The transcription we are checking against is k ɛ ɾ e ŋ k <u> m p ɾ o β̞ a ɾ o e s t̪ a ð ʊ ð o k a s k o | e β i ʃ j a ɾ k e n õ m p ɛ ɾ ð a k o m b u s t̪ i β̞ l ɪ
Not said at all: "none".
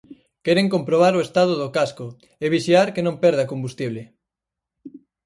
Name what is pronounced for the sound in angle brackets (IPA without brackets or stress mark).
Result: o